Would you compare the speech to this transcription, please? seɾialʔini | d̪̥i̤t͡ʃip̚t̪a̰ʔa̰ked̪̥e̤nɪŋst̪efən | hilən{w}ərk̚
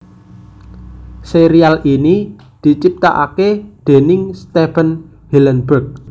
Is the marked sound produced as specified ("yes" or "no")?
no